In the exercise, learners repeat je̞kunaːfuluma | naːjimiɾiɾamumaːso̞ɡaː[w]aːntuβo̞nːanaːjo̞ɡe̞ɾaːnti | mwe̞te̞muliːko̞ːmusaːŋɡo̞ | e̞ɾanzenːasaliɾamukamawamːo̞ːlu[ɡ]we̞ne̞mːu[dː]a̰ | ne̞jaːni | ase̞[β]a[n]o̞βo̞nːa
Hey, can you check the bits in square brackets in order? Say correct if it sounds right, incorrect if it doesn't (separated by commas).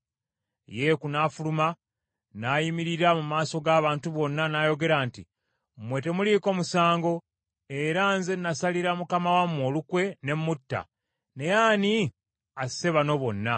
incorrect, incorrect, incorrect, correct, correct